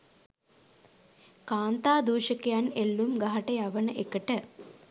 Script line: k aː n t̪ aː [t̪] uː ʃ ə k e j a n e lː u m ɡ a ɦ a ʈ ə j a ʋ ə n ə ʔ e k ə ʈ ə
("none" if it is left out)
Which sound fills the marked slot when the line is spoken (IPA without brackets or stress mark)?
d̪